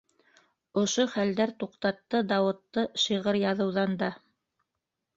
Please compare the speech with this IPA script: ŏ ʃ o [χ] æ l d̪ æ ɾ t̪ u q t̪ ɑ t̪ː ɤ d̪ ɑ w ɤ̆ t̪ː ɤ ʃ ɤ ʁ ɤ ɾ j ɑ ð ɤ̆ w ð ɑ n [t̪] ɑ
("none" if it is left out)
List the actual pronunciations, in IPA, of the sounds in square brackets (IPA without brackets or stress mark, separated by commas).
χ, d̪